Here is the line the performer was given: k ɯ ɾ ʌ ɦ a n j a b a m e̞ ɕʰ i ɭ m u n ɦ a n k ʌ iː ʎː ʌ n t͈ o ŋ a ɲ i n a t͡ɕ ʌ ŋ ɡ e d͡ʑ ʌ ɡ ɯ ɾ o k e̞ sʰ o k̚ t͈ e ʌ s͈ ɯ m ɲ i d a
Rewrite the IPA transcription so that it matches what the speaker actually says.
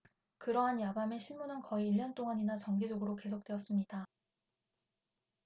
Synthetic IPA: k ɯ ɾ ʌ ɦ a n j a b a m e̞ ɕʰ i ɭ m u n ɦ a n k ʌ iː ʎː ʌ n t͈ o ŋ a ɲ i n a t͡ɕ ʌ ŋ ɡ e d͡ʑ ʌ ɡ ɯ ɾ o k e̞ sʰ o k̚ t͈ e ʌ s͈ ɯ m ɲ i d a